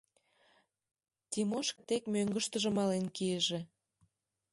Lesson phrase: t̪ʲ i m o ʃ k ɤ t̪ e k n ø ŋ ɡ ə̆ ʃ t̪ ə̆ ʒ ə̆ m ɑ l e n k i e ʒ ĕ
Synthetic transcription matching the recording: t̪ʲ i m o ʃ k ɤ t̪ e k m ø ŋ ɡ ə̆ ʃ t̪ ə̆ ʒ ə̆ m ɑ l e n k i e ʒ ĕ